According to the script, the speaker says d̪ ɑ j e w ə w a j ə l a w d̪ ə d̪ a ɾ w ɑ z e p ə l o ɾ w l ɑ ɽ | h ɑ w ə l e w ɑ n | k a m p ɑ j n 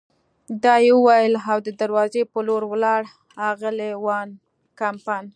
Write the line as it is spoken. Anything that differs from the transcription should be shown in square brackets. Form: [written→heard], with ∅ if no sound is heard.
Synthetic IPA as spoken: d̪ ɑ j e w ə w a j ə l a w d̪ ə d̪ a ɾ w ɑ z e p ə l o ɾ w l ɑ ɽ | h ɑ [w→ɣ] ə l e w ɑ n | k a m p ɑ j n